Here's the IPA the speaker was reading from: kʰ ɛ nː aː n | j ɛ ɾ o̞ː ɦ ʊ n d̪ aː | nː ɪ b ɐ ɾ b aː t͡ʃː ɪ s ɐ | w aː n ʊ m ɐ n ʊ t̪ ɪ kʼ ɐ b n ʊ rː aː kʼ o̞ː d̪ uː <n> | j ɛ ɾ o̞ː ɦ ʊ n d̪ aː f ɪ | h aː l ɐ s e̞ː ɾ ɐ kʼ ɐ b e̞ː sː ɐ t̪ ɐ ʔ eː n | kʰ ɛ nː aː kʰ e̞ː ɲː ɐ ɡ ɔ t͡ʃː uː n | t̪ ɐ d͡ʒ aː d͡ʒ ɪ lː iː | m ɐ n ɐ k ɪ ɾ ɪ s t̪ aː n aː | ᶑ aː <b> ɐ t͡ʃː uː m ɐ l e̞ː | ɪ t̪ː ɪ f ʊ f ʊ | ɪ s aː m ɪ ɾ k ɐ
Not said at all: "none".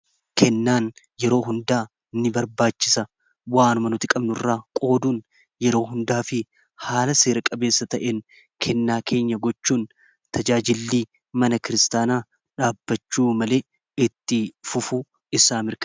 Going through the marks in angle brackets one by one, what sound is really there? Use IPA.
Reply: n, bː

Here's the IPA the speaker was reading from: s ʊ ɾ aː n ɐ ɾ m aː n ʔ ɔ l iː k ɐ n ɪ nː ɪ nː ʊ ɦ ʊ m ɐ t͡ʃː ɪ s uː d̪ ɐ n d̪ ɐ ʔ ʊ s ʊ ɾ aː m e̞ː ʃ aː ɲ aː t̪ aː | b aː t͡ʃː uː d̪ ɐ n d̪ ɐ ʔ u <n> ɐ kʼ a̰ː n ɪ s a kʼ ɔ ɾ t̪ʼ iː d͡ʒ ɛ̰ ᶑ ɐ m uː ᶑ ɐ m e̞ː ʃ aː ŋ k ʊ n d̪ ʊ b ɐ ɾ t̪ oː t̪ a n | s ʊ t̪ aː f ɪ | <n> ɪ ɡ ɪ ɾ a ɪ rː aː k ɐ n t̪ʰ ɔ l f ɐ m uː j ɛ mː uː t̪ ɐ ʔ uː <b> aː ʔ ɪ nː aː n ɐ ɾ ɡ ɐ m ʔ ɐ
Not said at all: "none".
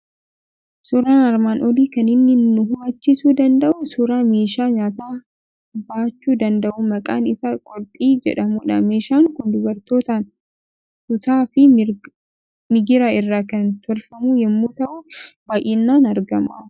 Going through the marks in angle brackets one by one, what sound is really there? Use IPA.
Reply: m, m, b

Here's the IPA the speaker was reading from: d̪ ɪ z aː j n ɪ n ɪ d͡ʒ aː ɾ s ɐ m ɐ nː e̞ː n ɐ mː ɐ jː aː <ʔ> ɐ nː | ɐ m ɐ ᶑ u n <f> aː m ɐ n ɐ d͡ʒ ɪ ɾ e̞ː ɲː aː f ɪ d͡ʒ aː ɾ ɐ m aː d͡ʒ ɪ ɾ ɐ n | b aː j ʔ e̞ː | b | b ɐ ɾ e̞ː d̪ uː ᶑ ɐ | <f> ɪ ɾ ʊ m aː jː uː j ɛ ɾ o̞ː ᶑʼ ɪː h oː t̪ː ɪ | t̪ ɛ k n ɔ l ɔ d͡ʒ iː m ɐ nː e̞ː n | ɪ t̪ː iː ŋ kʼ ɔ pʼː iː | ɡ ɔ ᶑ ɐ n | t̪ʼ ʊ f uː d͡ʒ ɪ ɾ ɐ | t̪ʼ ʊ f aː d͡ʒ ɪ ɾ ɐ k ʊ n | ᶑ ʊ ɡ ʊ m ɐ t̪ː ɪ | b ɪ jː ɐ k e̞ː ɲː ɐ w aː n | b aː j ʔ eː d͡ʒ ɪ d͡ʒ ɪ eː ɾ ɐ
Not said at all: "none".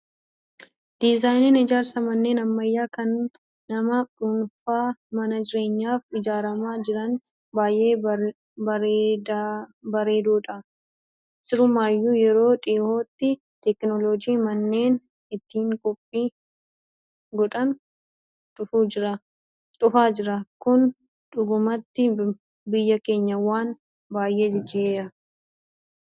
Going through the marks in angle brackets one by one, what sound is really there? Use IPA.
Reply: k, f, s

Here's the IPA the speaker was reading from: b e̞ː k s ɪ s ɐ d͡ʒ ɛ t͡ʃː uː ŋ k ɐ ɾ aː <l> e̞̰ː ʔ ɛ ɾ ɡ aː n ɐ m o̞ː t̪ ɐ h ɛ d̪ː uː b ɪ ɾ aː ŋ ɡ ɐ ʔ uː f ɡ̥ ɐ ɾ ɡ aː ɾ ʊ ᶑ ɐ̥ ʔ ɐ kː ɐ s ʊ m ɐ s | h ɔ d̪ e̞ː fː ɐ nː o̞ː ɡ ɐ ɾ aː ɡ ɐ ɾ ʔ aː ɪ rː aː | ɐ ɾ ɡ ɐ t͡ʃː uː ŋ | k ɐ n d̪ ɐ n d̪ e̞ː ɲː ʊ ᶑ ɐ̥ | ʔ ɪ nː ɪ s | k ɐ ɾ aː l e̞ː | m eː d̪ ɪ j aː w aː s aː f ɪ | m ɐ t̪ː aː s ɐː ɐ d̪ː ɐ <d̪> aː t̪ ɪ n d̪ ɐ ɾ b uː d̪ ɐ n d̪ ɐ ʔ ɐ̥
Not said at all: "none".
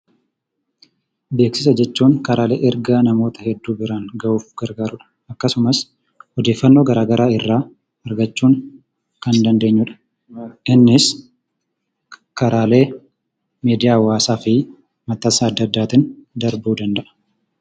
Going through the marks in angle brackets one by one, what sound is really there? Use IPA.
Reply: l, d̪ː

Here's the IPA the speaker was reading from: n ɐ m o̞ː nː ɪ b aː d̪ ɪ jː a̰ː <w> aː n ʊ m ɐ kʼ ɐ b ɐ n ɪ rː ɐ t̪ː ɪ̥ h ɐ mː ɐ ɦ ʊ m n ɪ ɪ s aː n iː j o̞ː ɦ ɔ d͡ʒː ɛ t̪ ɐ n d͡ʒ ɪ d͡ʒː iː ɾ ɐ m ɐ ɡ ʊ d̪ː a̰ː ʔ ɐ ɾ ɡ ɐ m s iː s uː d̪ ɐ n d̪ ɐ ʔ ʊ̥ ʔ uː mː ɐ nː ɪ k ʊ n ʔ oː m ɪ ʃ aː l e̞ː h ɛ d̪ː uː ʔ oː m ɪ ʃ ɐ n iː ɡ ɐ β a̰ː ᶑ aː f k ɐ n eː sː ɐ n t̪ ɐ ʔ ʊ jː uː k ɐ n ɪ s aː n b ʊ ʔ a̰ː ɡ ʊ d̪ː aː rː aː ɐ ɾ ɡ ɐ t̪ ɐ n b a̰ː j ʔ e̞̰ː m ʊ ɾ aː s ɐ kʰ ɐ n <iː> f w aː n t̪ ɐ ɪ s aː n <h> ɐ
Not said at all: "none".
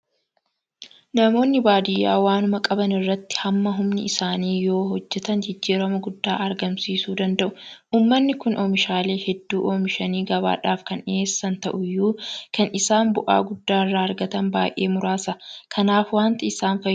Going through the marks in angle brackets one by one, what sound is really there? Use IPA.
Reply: w, aː, f

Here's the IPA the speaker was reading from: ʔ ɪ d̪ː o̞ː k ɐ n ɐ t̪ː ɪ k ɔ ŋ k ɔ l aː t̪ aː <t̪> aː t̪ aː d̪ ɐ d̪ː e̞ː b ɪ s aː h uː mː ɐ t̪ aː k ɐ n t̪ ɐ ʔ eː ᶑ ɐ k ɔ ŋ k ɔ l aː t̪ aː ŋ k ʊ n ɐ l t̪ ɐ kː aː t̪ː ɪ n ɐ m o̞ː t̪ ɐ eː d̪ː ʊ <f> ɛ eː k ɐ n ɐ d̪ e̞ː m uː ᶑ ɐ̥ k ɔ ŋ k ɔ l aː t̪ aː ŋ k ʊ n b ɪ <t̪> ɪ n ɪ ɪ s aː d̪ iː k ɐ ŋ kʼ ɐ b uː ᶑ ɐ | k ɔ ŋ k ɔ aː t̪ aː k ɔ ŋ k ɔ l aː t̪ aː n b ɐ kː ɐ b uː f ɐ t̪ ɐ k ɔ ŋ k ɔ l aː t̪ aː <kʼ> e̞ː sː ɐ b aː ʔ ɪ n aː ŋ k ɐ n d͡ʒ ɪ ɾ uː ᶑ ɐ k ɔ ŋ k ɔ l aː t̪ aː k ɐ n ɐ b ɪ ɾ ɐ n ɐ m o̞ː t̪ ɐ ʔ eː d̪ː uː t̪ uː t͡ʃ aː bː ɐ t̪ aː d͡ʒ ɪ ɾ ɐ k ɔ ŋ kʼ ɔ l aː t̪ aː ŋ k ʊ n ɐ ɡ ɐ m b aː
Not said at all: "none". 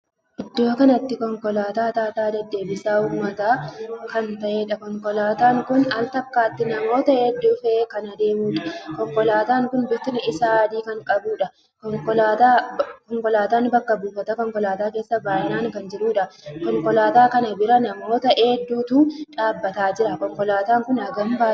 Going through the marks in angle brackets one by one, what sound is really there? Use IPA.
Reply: t̪, f, t̪, k

